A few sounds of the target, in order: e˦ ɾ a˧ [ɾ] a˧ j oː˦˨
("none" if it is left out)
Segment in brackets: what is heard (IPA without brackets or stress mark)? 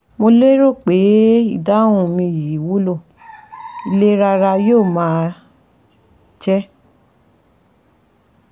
ɾ